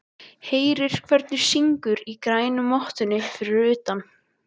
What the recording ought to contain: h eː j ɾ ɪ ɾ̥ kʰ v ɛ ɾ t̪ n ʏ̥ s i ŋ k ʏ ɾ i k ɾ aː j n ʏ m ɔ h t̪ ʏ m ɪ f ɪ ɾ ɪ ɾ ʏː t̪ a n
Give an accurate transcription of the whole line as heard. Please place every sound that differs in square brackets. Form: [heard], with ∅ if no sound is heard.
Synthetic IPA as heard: h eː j ɾ ɪ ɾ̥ kʰ v ɛ ɾ t̪ n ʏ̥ s i ŋ k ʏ ɾ i k ɾ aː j n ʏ m ɔ h t̪ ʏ [n] ɪ f ɪ ɾ ɪ ɾ ʏː t̪ a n